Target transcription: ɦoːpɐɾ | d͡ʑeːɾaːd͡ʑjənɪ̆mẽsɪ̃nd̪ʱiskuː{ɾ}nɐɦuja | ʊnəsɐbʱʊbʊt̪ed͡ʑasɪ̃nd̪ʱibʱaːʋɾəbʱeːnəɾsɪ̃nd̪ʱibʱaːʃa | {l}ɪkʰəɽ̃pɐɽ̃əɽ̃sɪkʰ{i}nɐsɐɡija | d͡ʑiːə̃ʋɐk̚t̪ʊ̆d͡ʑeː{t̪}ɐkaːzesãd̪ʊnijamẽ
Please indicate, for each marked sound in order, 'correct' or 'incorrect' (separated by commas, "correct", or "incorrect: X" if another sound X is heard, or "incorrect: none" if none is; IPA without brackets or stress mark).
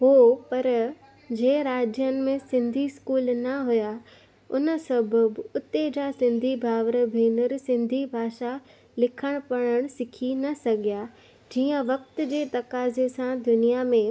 incorrect: l, correct, correct, correct